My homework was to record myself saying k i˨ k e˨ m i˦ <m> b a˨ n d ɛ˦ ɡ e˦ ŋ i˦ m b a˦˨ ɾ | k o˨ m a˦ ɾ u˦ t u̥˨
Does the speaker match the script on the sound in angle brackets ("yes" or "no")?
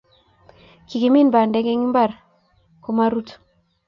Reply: no